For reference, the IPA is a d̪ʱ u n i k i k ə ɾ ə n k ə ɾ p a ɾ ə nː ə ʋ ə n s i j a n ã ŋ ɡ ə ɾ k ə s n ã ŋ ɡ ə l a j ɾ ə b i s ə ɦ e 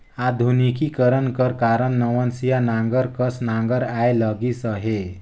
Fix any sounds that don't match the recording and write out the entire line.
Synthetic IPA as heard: a d̪ʱ u n i k i k ə ɾ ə n k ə ɾ k a ɾ ə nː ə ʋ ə n s i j a n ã ŋ ɡ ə ɾ k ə s n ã ŋ ɡ ə ɾ a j l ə ɡ i s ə ɦ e